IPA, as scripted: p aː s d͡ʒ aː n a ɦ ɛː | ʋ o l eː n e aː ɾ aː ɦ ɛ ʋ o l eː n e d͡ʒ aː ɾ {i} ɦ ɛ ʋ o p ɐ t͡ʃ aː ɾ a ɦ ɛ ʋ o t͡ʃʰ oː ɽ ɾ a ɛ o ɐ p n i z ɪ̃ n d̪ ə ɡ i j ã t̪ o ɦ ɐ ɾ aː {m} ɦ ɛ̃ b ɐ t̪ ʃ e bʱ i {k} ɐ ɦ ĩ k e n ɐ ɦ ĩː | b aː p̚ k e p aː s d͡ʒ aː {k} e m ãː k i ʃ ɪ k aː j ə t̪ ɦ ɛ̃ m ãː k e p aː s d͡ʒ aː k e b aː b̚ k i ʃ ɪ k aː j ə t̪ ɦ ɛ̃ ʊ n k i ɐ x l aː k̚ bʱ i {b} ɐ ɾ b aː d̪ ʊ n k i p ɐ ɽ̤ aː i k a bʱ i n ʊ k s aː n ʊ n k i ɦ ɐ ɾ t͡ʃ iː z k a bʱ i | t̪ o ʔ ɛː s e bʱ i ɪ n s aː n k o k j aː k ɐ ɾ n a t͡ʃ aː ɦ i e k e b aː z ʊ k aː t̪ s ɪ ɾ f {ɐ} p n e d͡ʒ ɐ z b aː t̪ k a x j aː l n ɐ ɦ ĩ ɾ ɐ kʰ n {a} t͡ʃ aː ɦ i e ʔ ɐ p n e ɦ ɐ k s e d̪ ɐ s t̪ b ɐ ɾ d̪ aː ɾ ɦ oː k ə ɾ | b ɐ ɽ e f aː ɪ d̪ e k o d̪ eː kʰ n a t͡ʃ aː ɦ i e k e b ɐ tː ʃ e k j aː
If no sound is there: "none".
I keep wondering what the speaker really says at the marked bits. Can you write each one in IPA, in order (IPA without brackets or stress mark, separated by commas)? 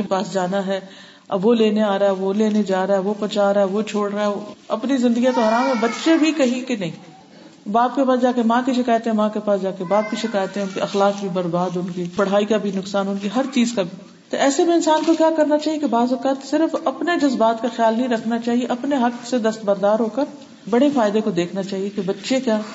a, m, k, k, b, ɐ, a